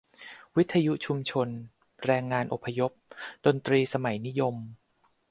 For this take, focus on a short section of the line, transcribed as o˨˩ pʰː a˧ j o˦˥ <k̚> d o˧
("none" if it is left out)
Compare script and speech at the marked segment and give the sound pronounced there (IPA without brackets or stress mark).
p̚